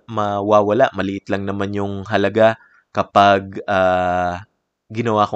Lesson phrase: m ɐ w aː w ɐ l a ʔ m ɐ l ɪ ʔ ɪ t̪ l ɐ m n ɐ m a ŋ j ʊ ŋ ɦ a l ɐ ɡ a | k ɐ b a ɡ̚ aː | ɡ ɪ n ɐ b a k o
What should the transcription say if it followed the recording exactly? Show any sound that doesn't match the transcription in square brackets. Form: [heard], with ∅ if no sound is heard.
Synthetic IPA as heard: m ɐ w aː w ɐ l a ʔ m ɐ l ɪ ʔ ɪ t̪ l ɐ [ŋ] n ɐ m a [n] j ʊ ŋ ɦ [ɐ] l ɐ ɡ a | k ɐ [p] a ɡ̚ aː | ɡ ɪ n ɐ [w] a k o